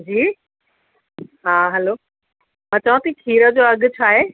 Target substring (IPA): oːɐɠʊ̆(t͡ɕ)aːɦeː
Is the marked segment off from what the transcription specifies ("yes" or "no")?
yes